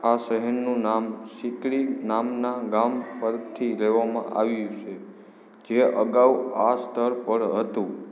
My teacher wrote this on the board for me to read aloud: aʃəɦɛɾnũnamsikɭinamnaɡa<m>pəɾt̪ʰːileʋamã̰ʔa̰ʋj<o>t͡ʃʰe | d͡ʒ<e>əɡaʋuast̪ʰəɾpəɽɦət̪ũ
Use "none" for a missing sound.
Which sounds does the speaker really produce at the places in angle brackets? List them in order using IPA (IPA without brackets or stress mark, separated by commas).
m, u, e